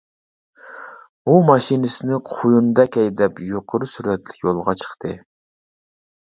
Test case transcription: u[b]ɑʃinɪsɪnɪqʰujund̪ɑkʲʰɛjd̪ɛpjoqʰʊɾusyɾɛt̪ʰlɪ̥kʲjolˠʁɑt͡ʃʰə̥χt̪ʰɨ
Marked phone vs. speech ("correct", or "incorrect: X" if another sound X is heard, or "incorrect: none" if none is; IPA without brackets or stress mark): incorrect: m